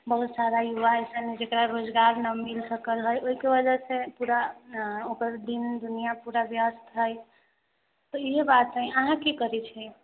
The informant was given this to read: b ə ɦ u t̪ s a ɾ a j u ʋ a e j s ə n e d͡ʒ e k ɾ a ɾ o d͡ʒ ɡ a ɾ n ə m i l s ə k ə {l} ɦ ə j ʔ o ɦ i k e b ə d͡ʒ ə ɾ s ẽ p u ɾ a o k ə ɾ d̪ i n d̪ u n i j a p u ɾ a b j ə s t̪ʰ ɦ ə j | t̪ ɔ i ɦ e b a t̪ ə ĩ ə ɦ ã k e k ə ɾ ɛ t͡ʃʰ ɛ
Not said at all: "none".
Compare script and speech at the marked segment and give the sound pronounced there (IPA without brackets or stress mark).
l